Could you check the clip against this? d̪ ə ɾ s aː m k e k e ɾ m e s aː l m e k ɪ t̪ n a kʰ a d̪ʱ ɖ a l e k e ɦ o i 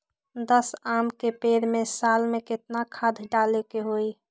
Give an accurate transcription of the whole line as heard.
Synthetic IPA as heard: d̪ ə s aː m k e p e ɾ m e s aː l m e k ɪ t̪ n a kʰ a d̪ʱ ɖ a l e k e ɦ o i